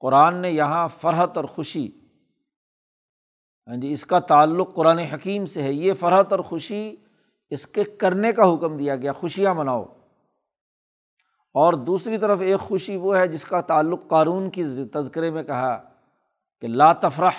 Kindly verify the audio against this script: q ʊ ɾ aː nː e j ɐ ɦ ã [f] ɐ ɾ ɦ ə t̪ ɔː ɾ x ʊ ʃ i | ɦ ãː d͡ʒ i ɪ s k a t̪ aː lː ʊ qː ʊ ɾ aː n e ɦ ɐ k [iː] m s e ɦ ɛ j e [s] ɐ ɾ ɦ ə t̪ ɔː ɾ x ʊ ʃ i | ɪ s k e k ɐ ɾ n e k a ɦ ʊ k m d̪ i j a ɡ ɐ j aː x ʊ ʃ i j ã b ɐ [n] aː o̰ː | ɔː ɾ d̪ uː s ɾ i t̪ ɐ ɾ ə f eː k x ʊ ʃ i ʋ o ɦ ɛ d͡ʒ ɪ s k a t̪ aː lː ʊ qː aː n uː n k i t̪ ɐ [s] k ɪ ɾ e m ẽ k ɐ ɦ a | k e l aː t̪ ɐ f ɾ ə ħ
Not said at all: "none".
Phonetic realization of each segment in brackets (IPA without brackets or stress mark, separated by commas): f, iː, f, n, z